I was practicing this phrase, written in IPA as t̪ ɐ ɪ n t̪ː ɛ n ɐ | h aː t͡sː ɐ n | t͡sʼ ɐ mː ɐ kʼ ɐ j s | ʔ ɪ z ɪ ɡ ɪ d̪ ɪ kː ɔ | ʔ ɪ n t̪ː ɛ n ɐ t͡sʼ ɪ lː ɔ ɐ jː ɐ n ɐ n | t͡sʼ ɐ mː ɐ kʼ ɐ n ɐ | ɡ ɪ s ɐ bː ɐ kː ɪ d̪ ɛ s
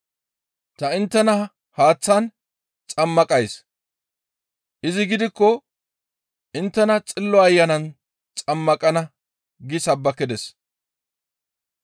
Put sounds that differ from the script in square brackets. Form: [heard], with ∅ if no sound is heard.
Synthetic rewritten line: t̪ ɐ ɪ n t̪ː ɛ n ɐ | h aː t͡sː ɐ n | t͡sʼ ɐ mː ɐ kʼ ɐ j s | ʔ ɪ z ɪ ɡ ɪ d̪ ɪ kː ɔ | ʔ ɪ n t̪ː ɛ n ɐ t͡sʼ ɪ lː ɔ ɐ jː ɐ n ɐ n | t͡sʼ ɐ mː ɐ kʼ ɐ n ɐ | ɡ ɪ s ɐ bː ɐ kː ɪ d̪ ɛ s